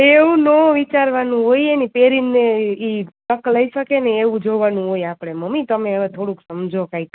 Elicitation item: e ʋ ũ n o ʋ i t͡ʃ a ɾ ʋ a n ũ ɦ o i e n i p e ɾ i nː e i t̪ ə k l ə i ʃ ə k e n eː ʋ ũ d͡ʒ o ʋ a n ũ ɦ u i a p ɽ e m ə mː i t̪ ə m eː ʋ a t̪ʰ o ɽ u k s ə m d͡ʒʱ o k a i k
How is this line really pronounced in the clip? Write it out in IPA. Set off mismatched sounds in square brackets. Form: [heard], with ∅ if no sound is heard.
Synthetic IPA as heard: e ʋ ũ n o ʋ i t͡ʃ a ɾ ʋ a n ũ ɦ o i e n i p e ɾ i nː e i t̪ ə k l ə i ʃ ə k e n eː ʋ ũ d͡ʒ o ʋ a n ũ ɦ [o] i a p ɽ e m ə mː i t̪ ə m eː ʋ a t̪ʰ o ɽ u k s ə m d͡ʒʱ o k a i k

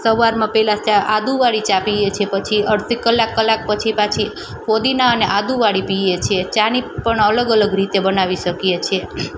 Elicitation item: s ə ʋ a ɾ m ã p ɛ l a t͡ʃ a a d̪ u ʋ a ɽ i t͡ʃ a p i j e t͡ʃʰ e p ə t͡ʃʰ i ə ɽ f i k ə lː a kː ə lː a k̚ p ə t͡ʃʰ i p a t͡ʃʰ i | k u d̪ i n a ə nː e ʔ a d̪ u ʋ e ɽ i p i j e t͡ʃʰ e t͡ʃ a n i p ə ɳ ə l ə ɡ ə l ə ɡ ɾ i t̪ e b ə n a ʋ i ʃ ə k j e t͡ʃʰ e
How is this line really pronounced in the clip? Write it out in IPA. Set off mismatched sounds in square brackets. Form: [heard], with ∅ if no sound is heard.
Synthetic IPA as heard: s ə ʋ a ɾ m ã p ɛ l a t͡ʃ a a d̪ u ʋ a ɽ i t͡ʃ a p i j e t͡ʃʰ e p ə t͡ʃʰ i ə ɽ [s] i k ə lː a kː ə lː a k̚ p ə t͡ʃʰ i p a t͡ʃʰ i | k [o] d̪ i n a ə [n] e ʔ a d̪ u ʋ [a] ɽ i p i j e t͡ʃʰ e t͡ʃ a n i p ə ɳ ə l ə ɡ ə l ə ɡ ɾ i t̪ e b ə n a ʋ i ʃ ə k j e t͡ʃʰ e

